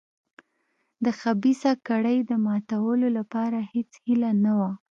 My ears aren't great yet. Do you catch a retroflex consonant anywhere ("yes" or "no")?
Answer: yes